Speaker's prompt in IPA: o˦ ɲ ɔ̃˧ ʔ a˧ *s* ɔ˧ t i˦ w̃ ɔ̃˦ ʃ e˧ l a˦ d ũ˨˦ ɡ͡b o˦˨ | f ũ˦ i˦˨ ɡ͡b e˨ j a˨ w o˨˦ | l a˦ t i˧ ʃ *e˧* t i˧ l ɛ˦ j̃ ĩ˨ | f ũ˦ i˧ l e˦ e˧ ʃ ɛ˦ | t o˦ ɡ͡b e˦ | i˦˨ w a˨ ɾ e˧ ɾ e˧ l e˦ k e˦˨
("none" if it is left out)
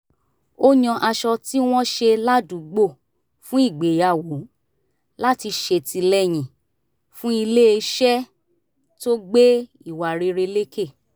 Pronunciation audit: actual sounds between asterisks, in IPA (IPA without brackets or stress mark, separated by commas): ʃ, e˧